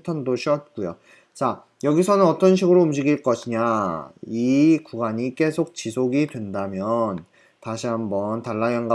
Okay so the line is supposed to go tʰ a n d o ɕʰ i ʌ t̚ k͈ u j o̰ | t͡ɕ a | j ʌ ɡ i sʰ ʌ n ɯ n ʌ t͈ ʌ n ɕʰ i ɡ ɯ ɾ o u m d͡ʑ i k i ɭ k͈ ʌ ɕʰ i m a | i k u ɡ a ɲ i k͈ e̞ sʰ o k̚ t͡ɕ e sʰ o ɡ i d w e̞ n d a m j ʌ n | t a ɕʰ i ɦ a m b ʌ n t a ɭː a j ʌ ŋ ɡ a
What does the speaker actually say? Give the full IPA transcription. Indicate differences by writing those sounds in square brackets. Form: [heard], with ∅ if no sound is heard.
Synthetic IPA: tʰ a n d o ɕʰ i ʌ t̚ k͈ u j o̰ | t͡ɕ a | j ʌ ɡ i sʰ ʌ n ɯ n ʌ t͈ ʌ n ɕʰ i ɡ ɯ ɾ o u m d͡ʑ i [ɡ] i ɭ k͈ ʌ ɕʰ i [ɲ] a | i k u ɡ a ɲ i k͈ e̞ sʰ o k̚ t͡ɕ [i] sʰ o ɡ i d w e̞ n d a m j ʌ n | t a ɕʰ i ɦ a m b ʌ n t a ɭː a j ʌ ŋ ɡ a

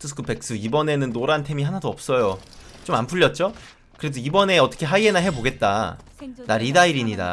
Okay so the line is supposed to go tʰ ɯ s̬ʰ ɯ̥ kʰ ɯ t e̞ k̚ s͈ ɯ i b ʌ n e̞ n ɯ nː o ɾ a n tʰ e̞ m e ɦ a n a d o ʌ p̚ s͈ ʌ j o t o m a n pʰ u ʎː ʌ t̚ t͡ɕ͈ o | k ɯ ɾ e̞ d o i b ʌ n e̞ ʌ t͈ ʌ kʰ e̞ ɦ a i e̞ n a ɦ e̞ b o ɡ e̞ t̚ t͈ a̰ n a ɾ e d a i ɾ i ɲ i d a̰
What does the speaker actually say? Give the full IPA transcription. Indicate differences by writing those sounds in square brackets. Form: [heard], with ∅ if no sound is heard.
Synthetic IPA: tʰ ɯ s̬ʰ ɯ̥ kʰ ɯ [p] e̞ k̚ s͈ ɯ i b ʌ n e̞ n ɯ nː o ɾ a n tʰ e̞ m [i] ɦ a n a d o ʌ p̚ s͈ ʌ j o [t͡ɕ] o m a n pʰ u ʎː ʌ t̚ t͡ɕ͈ o | k ɯ ɾ e̞ d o i b ʌ n e̞ ʌ t͈ ʌ kʰ e̞ ɦ a i e̞ n a ɦ e̞ b o ɡ e̞ t̚ t͈ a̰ n a ɾ [i] d a i ɾ i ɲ i d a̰

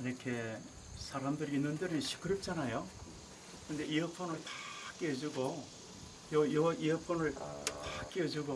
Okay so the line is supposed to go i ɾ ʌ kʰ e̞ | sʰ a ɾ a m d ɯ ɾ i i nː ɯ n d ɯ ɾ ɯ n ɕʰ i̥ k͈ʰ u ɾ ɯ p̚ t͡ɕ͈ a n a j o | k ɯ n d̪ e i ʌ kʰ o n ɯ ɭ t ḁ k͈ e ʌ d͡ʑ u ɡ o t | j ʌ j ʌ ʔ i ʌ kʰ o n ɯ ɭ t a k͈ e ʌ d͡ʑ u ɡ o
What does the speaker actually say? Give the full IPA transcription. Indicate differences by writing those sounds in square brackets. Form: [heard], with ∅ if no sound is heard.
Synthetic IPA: i ɾ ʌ kʰ e̞ | sʰ a ɾ a m d ɯ ɾ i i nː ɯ n d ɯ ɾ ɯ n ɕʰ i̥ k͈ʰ [ɯ] ɾ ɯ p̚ t͡ɕ͈ a n a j o | k ɯ n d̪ e i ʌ [pʰ] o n ɯ ɭ t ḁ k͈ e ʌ d͡ʑ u ɡ o [∅] | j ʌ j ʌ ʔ i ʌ [pʰ] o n ɯ ɭ t a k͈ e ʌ d͡ʑ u ɡ o

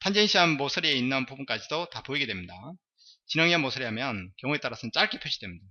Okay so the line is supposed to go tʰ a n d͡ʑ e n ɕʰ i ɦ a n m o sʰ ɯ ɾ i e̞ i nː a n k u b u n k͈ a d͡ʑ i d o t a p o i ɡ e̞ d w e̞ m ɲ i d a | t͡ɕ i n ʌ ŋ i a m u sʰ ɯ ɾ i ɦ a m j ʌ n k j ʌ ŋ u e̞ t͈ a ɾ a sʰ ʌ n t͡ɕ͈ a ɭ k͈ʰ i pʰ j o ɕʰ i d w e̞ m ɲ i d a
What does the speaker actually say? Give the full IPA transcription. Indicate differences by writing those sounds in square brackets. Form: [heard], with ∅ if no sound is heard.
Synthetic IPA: tʰ a n d͡ʑ e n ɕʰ i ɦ a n m o sʰ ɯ ɾ i e̞ i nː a n [p] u b u n k͈ a d͡ʑ i d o t a p o i ɡ e̞ d w e̞ m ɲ i d a | t͡ɕ i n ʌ ŋ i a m [o] sʰ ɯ ɾ i ɦ a m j ʌ n k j ʌ ŋ u e̞ t͈ a ɾ a sʰ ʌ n t͡ɕ͈ a ɭ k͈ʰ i pʰ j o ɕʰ i d w e̞ m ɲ i d a

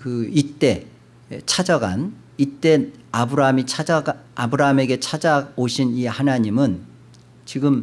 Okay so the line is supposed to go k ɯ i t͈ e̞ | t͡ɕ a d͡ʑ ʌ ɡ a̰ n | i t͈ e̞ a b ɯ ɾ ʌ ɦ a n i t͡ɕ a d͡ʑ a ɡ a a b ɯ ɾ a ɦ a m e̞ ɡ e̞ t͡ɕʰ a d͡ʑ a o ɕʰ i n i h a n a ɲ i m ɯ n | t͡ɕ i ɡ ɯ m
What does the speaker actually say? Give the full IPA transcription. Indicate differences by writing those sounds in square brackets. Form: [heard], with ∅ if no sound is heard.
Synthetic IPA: k ɯ i t͈ e̞ | [t͡ɕʰ] a d͡ʑ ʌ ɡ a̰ n | i t͈ e̞ a b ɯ ɾ [a] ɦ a [m] i [t͡ɕʰ] a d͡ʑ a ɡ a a b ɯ ɾ a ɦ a m e̞ ɡ e̞ t͡ɕʰ a d͡ʑ a o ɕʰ i n i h a n a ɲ i m ɯ n | t͡ɕ i ɡ ɯ m

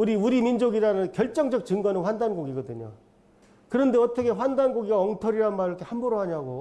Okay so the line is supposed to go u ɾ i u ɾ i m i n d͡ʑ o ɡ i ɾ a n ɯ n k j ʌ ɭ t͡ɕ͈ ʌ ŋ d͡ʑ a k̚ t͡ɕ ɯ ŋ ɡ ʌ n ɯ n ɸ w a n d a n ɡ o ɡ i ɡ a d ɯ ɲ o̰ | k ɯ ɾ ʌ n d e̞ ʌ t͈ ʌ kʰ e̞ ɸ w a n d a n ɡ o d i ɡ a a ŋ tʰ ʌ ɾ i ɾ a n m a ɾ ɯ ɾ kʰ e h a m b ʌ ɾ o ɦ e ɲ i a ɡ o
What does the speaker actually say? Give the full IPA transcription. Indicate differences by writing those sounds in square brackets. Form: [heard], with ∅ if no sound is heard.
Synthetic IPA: u ɾ i u ɾ i m i n d͡ʑ o ɡ i ɾ a n ɯ n k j ʌ ɭ t͡ɕ͈ ʌ ŋ d͡ʑ [ʌ] k̚ t͡ɕ ɯ ŋ ɡ ʌ n ɯ n ɸ w a n d a n ɡ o ɡ i ɡ [ʌ] d ɯ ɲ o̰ | k ɯ ɾ ʌ n d e̞ ʌ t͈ ʌ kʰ e̞ ɸ w a n d a n ɡ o [ɡ] i ɡ a [ʌ] ŋ tʰ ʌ ɾ i ɾ a n m a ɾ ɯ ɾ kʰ e h a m b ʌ ɾ o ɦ [a] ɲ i a ɡ o

